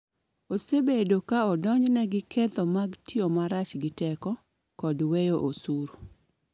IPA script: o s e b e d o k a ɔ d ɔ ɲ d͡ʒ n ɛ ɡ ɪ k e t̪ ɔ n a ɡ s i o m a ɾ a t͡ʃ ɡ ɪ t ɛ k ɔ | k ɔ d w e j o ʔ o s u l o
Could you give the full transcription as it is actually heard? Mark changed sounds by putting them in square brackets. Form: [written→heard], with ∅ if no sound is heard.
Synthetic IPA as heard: o s e b e d o k a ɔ d ɔ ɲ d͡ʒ n ɛ ɡ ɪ k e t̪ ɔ [n→m] a ɡ [s→t] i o m a ɾ a t͡ʃ ɡ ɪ t ɛ k ɔ | k ɔ d w e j o ʔ o s u [l→ɾ] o

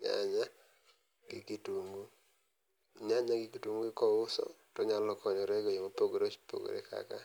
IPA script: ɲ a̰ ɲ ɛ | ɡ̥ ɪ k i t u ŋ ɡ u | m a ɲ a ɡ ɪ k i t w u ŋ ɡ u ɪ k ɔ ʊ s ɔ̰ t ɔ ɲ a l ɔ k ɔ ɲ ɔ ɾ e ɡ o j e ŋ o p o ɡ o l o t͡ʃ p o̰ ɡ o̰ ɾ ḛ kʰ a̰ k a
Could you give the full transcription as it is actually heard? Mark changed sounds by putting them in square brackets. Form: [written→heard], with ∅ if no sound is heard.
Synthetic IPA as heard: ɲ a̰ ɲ [ɛ→a] | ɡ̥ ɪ k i t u ŋ ɡ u | [m→ɲ] a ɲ a ɡ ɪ k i t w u ŋ ɡ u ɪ k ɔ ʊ s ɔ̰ t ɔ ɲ a l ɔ k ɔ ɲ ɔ ɾ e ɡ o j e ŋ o p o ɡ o [l→ɾ] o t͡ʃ p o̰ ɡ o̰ ɾ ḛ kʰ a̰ k a

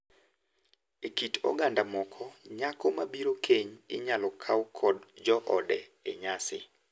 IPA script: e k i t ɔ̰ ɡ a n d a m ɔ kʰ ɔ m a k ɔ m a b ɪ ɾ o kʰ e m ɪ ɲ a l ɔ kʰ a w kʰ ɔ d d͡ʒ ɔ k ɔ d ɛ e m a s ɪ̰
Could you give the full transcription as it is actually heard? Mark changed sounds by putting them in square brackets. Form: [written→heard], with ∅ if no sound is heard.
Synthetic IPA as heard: e k i t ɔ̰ ɡ a n d a m ɔ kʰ ɔ [m→ɲ] a k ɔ m a b [ɪ→i] ɾ o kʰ e [m→ɲ] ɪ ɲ a l ɔ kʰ a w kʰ ɔ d d͡ʒ ɔ [k→ʔ] ɔ d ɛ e [m→ɲ] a s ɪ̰

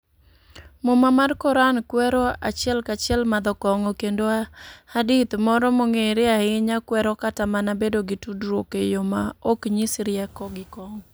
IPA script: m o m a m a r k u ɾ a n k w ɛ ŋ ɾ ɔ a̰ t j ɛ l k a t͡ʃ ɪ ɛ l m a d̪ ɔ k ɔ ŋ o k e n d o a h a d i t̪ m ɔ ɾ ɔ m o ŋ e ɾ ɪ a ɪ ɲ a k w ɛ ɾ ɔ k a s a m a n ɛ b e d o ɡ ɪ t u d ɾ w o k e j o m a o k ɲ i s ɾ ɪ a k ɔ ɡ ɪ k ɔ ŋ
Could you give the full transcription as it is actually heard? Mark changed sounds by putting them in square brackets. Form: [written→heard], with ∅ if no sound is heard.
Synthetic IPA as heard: m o m a m a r k [u→ɔ] ɾ a n k w ɛ [ŋ→∅] ɾ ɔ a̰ [t→t͡ʃ] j ɛ l k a t͡ʃ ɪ ɛ l m a d̪ ɔ k ɔ ŋ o k e n d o a h a d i t̪ m ɔ ɾ ɔ m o ŋ e ɾ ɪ a ɪ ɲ a k w ɛ ɾ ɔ k a [s→t] a m a n [ɛ→a] b e d o ɡ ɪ t u d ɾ w o k e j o m a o k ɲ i s ɾ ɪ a k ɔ ɡ ɪ k ɔ ŋ

